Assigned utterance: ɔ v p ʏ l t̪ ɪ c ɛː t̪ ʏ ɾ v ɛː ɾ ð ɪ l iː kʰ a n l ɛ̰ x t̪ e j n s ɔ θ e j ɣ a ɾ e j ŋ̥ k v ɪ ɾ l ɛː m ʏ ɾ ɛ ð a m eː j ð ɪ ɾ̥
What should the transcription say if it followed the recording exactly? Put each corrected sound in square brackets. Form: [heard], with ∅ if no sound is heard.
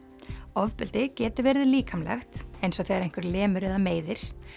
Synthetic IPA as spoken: ɔ v p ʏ l t̪ ɪ c ɛː t̪ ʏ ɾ v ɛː ɾ ð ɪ l iː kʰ a [m] l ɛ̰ x t̪ e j n s ɔ θ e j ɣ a ɾ e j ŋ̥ k v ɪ ɾ l ɛː m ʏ ɾ ɛ ð a m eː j ð ɪ ɾ̥